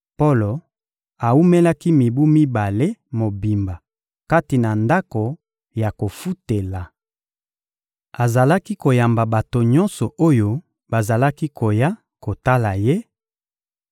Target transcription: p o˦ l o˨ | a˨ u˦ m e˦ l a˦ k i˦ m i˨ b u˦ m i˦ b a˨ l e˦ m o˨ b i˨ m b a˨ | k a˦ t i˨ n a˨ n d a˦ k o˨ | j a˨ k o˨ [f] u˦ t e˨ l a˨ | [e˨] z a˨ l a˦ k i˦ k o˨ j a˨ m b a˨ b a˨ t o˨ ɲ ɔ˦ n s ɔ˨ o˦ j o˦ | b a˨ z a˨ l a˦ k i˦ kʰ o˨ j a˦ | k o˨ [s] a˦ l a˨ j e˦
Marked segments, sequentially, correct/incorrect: correct, incorrect: a˨, incorrect: t

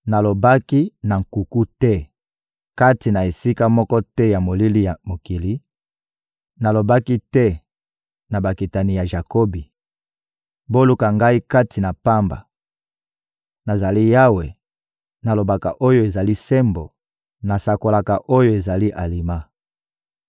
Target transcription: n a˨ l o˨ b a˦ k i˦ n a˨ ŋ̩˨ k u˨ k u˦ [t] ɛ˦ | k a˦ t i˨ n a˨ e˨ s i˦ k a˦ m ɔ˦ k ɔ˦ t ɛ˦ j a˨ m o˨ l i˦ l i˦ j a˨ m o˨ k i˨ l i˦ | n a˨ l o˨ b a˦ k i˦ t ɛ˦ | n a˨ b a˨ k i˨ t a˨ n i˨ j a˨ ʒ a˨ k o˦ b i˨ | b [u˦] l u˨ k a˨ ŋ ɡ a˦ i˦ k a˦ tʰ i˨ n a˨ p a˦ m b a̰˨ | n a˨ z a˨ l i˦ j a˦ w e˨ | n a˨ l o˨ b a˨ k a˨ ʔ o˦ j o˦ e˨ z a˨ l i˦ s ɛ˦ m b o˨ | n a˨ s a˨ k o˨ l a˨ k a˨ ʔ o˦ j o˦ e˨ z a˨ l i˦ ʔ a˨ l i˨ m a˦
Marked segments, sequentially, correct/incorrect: correct, incorrect: o˦

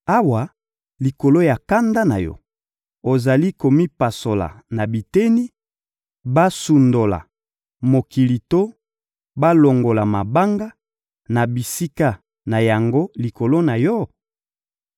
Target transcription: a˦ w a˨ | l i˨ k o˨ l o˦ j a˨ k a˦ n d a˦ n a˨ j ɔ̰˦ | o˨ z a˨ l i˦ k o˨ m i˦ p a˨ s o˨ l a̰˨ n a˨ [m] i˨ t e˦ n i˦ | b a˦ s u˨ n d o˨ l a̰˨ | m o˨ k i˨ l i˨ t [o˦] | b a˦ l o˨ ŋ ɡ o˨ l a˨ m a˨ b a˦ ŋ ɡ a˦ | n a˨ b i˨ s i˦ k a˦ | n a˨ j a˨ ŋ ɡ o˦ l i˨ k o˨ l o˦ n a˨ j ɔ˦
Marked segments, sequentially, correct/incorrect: incorrect: b, correct

